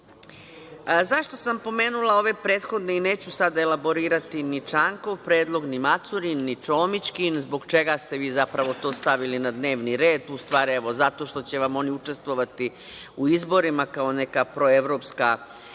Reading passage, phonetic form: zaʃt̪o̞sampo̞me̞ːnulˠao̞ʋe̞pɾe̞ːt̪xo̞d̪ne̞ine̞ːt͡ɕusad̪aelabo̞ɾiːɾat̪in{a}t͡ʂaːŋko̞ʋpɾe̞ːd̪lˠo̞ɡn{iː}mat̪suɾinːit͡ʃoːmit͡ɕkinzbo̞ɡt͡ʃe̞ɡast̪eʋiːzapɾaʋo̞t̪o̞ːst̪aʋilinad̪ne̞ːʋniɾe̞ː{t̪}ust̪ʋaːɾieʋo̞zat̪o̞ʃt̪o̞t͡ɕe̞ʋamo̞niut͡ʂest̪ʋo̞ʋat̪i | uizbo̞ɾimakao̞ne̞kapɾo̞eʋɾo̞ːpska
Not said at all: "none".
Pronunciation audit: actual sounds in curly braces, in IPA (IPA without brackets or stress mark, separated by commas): i, i, d̪